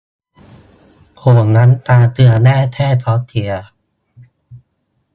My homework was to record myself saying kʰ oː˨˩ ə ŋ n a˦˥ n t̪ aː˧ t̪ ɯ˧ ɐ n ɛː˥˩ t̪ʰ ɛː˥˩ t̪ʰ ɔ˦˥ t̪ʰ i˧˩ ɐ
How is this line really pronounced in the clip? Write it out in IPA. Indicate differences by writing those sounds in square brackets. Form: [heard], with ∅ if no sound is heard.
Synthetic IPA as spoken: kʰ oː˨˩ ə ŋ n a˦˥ n t̪ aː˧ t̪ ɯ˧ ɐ n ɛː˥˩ t̪ʰ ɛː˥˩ t̪ʰ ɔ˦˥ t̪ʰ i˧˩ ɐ